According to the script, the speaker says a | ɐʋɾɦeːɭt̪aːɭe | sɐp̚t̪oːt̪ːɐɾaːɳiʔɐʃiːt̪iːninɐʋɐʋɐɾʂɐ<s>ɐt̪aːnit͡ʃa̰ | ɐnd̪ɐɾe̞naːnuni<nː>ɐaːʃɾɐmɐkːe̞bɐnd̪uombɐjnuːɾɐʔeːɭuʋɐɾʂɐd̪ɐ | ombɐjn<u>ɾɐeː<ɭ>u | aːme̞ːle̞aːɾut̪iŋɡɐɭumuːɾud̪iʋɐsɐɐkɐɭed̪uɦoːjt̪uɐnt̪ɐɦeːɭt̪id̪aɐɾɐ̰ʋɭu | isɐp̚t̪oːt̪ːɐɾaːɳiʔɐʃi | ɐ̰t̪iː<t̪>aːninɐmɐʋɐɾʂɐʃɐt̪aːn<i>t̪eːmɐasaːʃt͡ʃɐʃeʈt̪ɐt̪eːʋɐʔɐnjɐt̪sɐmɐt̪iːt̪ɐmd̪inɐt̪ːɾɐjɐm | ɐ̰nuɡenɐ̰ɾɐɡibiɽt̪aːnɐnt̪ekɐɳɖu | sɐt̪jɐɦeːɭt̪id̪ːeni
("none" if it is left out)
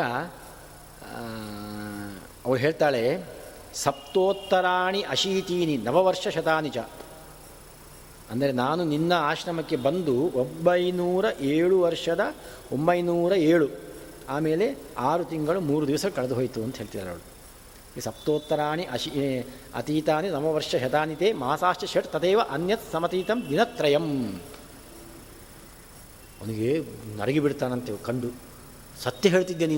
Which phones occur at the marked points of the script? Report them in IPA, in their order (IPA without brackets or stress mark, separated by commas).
ʃ, nː, uː, ɭ, t̪, i